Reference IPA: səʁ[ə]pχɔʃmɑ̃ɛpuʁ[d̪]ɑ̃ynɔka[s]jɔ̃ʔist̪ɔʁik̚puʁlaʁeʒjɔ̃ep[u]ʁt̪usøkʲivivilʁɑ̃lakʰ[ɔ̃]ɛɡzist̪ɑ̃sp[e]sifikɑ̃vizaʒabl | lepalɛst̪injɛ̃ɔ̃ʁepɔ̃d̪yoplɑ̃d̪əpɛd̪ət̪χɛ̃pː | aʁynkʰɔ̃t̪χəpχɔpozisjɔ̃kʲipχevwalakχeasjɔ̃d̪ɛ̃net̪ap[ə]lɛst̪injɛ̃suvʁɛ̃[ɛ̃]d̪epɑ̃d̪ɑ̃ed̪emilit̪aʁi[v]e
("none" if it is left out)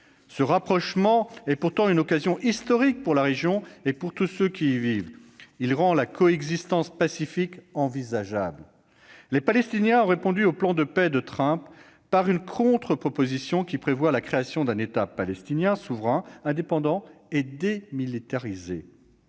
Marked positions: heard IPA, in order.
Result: a, t̪, z, u, ɔ, a, a, ɛ̃, z

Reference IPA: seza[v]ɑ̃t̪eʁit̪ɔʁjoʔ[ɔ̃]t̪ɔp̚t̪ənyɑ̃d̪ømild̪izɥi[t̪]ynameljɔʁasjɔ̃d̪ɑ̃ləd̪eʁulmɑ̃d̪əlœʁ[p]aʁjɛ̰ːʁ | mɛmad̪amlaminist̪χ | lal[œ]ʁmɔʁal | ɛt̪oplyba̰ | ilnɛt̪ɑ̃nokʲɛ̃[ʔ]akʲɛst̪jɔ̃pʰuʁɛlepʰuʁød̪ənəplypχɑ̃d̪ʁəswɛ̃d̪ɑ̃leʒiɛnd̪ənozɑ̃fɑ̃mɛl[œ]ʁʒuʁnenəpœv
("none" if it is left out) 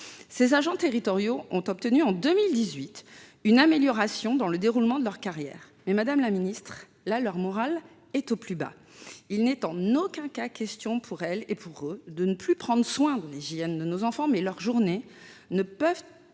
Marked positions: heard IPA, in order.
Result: ʒ, ɔ̃, t̪, k, œ, k, œ

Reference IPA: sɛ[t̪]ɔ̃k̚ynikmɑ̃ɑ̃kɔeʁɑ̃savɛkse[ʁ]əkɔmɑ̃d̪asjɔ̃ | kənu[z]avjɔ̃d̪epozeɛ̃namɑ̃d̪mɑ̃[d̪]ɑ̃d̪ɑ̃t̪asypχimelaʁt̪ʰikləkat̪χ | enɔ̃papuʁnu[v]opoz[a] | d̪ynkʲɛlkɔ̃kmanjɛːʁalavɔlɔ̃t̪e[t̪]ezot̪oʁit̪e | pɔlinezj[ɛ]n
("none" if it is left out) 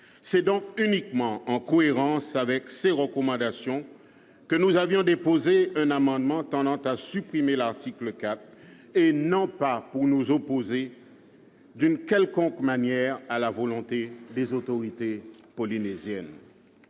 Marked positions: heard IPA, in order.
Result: d̪, ʁ, z, t̪, z, e, d̪, ɛ

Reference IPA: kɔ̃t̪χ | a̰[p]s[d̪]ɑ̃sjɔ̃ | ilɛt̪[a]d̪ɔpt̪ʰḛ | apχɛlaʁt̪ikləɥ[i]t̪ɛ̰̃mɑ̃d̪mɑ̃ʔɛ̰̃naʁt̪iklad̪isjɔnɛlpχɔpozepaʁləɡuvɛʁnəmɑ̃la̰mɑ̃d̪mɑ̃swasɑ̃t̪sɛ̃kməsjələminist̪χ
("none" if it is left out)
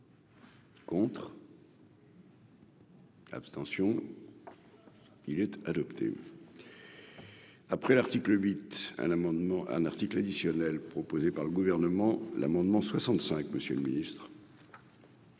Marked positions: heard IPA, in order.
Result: p, t̪, a, i

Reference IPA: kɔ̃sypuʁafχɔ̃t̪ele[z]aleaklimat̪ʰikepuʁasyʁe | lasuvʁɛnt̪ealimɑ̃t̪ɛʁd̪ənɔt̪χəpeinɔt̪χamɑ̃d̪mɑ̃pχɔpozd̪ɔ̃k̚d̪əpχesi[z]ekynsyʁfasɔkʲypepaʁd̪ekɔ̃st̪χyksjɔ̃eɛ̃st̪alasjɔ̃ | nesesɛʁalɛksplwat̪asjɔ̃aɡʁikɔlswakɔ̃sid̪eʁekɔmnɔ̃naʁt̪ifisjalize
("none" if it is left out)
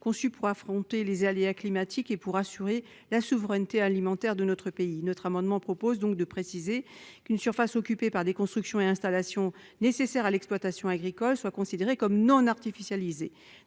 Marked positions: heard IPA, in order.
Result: z, z

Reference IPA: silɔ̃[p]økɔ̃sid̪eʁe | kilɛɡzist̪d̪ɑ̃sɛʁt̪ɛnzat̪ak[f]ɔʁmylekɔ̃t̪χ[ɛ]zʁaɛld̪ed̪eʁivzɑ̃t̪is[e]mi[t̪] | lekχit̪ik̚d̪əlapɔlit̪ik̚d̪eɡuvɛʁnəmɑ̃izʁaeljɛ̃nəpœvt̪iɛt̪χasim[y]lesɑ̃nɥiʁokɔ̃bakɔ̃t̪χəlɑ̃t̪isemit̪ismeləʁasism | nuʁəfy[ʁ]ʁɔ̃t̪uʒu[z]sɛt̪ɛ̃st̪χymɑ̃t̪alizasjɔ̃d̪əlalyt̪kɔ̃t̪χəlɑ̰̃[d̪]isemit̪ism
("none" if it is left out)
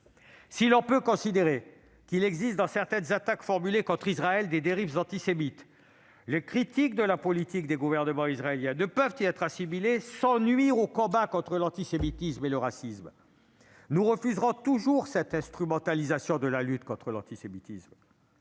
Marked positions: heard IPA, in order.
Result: p, f, i, e, t̪, i, z, ʁ, t̪

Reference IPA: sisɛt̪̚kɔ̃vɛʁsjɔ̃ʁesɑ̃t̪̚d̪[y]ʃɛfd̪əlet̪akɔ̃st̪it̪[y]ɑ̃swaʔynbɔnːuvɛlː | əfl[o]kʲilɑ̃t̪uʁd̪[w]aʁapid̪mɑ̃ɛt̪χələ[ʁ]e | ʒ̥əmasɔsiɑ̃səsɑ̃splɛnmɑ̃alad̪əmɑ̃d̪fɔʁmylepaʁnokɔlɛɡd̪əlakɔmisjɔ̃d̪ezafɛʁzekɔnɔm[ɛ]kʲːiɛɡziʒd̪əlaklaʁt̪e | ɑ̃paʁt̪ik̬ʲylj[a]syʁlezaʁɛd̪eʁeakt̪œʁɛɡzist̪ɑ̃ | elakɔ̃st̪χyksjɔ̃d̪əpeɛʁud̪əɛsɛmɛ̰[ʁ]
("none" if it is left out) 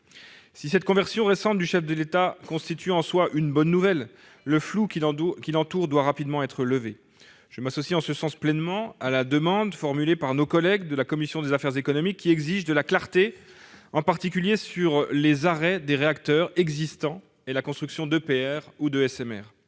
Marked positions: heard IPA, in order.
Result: y, y, u, w, v, i, e, ʁ

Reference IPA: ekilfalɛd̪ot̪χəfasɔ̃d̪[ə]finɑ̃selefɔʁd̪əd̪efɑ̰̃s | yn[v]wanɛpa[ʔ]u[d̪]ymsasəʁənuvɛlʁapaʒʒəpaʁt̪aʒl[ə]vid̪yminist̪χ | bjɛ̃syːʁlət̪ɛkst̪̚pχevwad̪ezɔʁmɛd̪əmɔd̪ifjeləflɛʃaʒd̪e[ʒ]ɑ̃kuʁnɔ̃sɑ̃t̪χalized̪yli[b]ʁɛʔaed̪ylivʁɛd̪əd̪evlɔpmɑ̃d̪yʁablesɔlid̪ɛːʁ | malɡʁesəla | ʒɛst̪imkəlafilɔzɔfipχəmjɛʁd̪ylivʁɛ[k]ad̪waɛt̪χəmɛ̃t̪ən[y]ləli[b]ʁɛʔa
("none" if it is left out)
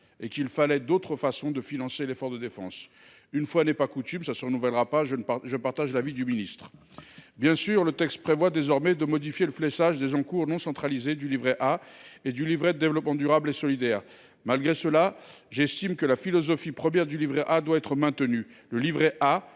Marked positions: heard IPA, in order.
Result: ə, f, k, t̪, a, z, v, ʔ, y, v

